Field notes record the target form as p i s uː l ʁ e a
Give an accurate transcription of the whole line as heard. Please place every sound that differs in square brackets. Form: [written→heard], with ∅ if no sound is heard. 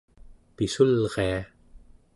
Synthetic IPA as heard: p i s [uː→u] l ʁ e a